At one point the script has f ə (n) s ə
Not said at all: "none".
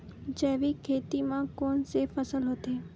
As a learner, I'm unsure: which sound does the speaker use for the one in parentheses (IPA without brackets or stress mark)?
none